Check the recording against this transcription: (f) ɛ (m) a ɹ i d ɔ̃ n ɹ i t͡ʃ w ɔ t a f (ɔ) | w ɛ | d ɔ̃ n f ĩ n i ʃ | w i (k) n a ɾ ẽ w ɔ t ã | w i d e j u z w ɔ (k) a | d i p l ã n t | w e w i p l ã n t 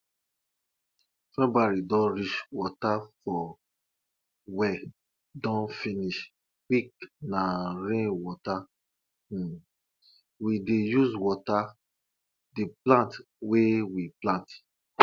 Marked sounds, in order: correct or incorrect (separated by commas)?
correct, incorrect, correct, correct, incorrect